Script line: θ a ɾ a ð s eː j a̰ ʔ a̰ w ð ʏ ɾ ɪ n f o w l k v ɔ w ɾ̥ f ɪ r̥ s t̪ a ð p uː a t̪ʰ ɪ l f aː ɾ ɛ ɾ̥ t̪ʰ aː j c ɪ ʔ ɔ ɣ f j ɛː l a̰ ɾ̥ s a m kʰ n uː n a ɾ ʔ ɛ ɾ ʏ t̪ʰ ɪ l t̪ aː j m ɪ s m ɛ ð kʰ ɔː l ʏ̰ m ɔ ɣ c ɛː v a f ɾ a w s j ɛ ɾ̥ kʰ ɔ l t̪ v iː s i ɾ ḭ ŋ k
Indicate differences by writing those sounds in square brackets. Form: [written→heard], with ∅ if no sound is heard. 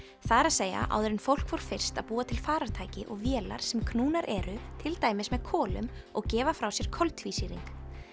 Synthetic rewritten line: θ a ɾ a ð s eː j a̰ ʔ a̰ w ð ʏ ɾ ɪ n f o w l k v ɔ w ɾ̥ f ɪ r̥ s t̪ a ð p uː a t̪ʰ ɪ l f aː ɾ [ɛ→a] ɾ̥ t̪ʰ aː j c ɪ ʔ ɔ ɣ [f→v] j ɛː l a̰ ɾ̥ s [a→ɛ] m kʰ n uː n a ɾ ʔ ɛ ɾ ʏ t̪ʰ ɪ l t̪ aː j m ɪ s m ɛ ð kʰ ɔː l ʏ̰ m ɔ ɣ c ɛː v a f ɾ a w s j ɛ ɾ̥ kʰ ɔ l t̪ v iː s i ɾ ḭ ŋ k